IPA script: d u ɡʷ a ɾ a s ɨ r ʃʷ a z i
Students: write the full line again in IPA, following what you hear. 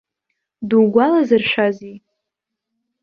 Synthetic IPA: d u ɡʷ a l a z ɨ r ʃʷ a z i